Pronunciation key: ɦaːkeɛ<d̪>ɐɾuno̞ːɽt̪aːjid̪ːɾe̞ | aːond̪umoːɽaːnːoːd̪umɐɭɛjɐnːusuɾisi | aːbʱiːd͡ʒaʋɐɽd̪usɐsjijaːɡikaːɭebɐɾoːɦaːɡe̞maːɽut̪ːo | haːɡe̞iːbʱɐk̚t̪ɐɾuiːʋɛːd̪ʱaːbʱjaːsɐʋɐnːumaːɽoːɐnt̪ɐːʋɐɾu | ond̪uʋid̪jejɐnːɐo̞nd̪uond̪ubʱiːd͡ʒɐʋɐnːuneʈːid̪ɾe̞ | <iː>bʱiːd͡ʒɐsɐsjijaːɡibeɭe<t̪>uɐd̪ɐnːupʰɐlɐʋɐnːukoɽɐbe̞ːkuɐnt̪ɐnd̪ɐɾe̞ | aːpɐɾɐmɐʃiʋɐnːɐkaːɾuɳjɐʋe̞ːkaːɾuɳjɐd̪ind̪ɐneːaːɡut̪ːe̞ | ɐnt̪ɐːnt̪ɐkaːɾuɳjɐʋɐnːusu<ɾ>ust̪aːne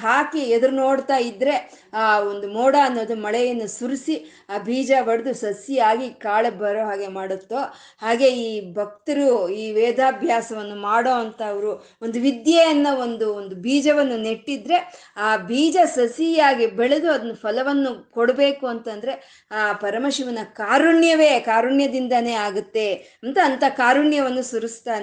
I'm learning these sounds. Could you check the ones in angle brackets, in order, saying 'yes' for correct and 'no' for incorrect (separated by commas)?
yes, no, no, yes